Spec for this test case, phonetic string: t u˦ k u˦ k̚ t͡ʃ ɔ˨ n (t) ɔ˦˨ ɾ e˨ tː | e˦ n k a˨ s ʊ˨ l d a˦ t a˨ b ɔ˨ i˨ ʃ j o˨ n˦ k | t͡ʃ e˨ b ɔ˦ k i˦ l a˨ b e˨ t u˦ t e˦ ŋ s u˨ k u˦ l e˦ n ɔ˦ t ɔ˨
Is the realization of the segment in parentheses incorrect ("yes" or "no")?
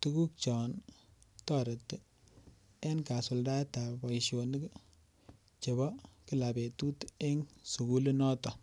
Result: no